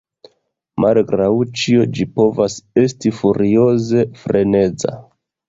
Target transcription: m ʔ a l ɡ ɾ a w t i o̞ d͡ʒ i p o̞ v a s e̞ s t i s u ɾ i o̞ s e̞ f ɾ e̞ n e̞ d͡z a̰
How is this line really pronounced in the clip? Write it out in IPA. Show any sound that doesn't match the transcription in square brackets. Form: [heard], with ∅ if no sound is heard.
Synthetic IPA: m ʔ a l ɡ ɾ a w [t͡ʃ] i o̞ d͡ʒ i p o̞ v a s e̞ s t i [f] u ɾ i o̞ [z] e̞ f ɾ e̞ n e̞ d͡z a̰